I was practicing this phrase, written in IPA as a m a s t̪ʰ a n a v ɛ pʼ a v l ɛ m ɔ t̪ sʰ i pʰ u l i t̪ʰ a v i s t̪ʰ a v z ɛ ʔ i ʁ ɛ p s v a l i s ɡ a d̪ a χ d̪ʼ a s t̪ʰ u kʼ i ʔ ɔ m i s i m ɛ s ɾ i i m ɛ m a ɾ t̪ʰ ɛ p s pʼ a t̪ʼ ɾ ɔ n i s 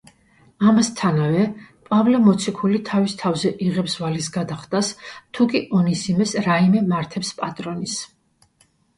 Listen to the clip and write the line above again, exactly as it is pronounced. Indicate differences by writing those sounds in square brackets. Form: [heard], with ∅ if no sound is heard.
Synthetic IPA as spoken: a m a s t̪ʰ a n a v ɛ pʼ a v l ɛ m ɔ t̪ sʰ i [kʰ] u l i t̪ʰ a v i s t̪ʰ a v z ɛ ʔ i ʁ ɛ p s v a l i s ɡ a d̪ a χ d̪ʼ a s t̪ʰ u kʼ i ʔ ɔ [n] i s i m ɛ s ɾ [a] i m ɛ m a ɾ t̪ʰ ɛ p s pʼ a t̪ʼ ɾ ɔ n i s